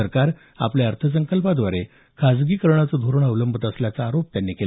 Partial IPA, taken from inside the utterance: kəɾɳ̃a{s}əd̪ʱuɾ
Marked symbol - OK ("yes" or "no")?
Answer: no